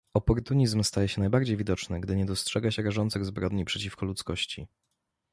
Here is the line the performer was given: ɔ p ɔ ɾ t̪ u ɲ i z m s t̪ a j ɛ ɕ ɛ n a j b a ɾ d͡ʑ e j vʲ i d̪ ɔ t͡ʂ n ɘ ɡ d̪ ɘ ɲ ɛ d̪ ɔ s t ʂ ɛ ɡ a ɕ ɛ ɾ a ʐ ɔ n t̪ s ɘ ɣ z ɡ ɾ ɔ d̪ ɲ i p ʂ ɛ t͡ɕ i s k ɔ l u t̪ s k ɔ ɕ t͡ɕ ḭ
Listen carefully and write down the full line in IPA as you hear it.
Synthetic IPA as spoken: ɔ p ɔ ɾ t̪ u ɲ i z m s t̪ a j ɛ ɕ ɛ n a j b a ɾ d͡ʑ e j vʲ i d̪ ɔ t͡ʂ n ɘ ɡ d̪ ɘ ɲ ɛ d̪ ɔ s t ʂ ɛ ɡ a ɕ ɛ ɾ a ʐ ɔ n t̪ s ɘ ɣ z b ɾ ɔ d̪ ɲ i p ʂ ɛ t͡ɕ i f k ɔ l u t̪ s k ɔ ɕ t͡ɕ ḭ